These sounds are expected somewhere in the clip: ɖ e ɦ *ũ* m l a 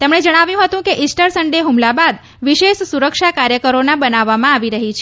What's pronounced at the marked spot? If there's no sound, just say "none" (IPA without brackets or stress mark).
u